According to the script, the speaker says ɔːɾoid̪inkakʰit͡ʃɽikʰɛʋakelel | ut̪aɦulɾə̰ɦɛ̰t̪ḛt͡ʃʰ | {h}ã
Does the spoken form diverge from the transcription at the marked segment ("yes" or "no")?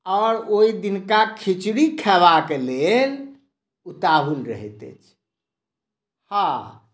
no